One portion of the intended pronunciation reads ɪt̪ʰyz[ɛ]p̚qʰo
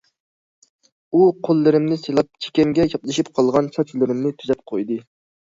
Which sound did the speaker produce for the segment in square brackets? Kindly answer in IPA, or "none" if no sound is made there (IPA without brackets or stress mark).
ɛ